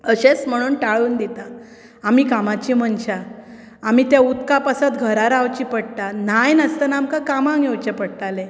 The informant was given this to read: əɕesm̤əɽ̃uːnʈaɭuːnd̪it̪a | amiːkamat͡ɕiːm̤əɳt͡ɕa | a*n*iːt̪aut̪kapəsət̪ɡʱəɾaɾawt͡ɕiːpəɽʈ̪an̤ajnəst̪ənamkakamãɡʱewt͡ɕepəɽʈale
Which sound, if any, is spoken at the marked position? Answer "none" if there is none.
m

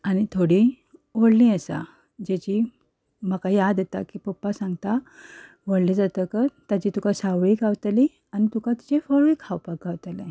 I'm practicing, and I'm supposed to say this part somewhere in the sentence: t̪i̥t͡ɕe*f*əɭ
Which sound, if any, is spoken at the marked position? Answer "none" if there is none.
f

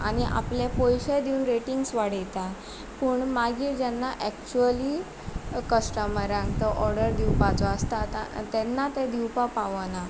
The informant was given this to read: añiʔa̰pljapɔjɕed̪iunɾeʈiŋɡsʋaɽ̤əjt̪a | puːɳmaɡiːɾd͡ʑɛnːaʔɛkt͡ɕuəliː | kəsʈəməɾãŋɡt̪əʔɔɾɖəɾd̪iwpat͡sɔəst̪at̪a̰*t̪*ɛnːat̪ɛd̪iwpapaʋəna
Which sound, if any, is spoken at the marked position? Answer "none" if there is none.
t̪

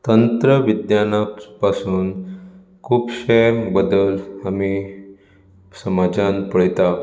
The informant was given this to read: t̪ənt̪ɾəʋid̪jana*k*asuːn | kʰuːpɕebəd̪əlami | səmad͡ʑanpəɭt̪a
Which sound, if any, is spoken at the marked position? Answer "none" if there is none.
p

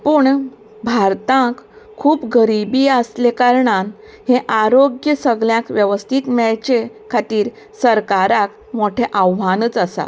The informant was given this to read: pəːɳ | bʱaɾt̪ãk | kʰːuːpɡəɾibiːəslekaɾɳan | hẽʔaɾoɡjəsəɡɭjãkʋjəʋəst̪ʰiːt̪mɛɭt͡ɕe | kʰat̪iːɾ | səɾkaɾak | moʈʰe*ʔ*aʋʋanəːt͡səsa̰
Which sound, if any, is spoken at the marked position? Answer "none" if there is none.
ʔ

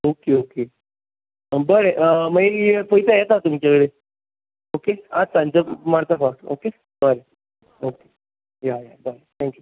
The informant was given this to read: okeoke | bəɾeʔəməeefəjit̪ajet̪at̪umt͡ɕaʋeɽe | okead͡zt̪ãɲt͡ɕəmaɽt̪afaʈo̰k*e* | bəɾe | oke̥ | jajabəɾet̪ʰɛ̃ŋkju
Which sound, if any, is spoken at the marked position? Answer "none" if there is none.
e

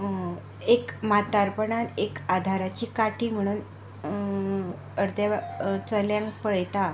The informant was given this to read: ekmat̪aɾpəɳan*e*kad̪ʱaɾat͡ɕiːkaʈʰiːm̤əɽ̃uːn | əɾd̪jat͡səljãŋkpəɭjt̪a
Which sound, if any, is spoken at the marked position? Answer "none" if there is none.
e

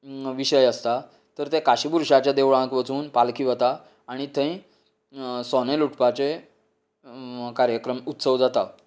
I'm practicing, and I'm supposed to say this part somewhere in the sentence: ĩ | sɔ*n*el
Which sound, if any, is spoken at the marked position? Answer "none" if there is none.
n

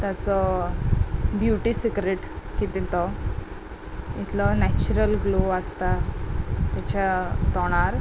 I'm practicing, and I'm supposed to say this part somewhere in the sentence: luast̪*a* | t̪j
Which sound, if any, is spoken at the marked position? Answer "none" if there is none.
a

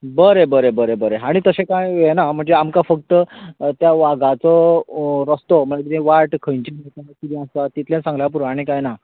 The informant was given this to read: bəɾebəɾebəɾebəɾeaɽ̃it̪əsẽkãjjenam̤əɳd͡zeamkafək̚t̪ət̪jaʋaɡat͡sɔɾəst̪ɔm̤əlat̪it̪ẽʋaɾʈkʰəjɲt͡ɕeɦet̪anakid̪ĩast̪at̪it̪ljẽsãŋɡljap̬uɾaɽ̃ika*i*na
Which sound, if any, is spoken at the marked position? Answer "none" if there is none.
j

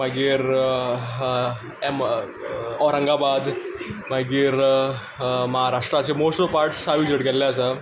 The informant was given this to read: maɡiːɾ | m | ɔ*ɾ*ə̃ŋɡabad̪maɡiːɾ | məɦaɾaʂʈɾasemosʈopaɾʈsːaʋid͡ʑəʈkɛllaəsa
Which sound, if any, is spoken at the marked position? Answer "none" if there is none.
ɾ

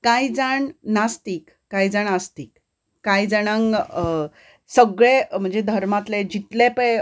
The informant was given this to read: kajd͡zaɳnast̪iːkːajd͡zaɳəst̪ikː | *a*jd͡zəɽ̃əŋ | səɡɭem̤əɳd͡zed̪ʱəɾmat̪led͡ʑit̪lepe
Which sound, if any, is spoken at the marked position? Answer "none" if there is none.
a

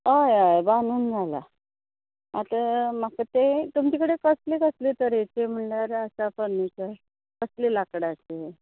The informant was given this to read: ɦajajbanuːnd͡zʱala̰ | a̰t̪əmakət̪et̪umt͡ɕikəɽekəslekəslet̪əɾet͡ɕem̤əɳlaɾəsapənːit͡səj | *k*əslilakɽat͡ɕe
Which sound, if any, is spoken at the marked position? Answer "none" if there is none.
k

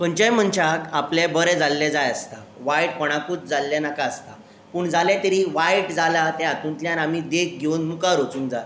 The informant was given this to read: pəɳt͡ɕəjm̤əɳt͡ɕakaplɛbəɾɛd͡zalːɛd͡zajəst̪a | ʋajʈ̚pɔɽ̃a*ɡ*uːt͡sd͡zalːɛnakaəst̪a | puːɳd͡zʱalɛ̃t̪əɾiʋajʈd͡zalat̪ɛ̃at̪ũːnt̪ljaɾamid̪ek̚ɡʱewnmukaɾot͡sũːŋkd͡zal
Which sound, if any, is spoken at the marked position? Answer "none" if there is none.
k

